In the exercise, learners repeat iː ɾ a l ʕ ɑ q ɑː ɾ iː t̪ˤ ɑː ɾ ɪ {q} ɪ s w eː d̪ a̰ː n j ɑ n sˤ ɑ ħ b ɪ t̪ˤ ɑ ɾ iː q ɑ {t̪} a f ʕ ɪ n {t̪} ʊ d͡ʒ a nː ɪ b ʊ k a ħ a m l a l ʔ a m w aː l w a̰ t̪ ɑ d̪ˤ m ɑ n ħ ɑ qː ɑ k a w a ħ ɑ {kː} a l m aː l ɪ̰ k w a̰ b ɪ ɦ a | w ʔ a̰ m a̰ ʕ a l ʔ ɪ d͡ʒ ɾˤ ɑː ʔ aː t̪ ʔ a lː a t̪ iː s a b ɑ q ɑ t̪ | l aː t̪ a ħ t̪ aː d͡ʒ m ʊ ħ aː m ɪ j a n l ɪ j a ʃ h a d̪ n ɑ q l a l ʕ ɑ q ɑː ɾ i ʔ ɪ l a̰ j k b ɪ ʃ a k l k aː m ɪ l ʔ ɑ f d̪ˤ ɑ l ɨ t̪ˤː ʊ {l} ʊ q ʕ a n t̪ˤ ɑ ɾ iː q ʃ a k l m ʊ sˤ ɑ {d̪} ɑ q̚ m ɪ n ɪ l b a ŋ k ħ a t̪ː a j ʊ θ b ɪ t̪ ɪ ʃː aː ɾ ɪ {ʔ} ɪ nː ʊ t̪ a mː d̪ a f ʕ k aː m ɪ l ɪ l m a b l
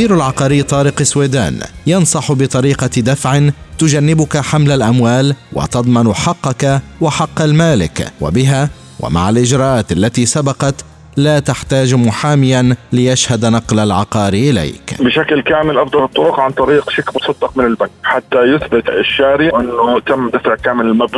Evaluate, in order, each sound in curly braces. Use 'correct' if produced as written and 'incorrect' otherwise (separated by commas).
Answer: correct, incorrect, correct, incorrect, incorrect, incorrect, correct